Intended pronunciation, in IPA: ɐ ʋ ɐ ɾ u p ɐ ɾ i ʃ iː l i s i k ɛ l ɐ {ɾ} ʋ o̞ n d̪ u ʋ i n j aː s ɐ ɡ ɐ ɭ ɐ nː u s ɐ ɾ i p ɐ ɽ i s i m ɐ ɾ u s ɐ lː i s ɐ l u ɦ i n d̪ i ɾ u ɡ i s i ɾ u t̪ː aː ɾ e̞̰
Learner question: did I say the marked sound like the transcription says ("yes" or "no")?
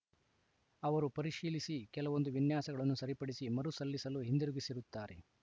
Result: no